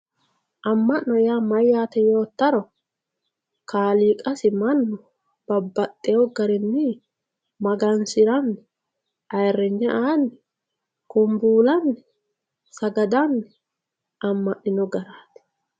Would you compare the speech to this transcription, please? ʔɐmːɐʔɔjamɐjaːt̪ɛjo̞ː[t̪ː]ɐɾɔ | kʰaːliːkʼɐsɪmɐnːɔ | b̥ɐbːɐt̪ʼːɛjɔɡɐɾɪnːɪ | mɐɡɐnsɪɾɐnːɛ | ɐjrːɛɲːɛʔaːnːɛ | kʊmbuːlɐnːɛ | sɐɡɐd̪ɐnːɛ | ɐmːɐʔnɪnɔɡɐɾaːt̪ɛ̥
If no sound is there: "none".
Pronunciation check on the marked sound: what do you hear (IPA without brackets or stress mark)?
t̪ː